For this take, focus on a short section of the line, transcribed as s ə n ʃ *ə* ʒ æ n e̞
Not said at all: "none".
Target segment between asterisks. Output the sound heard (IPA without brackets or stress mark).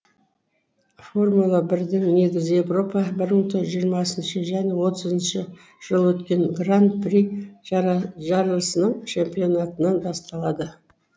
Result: ə